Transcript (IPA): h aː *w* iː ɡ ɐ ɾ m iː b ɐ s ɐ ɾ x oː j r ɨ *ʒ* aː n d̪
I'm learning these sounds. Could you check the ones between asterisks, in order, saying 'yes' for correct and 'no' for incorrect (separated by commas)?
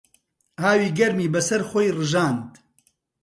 yes, yes